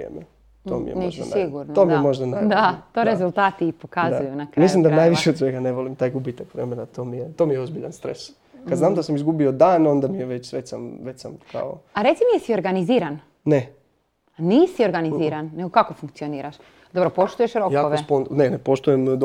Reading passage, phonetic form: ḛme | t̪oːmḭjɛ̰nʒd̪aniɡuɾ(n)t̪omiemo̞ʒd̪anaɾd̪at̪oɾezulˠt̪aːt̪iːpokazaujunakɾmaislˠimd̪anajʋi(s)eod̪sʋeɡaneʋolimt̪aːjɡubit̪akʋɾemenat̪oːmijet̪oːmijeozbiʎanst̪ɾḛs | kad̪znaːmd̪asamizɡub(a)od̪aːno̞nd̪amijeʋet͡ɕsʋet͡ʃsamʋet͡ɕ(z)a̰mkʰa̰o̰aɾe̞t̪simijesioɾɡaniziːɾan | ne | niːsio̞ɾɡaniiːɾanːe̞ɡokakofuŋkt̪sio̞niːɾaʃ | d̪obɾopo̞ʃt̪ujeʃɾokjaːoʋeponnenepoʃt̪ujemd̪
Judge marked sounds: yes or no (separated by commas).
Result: yes, no, no, no